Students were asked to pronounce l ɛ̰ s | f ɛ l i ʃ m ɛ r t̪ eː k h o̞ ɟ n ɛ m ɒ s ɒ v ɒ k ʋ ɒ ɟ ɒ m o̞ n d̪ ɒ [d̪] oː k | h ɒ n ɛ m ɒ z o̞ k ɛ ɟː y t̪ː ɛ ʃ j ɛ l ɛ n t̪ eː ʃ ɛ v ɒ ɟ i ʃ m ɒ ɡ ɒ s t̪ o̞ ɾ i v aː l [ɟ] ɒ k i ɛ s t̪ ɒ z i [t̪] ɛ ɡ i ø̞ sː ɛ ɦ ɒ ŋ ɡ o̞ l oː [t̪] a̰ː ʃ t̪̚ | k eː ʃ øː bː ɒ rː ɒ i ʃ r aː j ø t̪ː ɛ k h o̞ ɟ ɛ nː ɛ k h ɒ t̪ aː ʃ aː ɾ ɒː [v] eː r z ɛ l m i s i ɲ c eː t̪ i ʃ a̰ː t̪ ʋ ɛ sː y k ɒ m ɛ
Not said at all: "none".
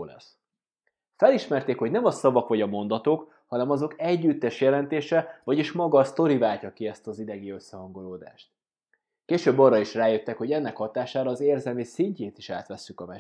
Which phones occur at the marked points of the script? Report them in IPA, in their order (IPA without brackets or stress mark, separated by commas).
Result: t̪, c, d̪, d̪, z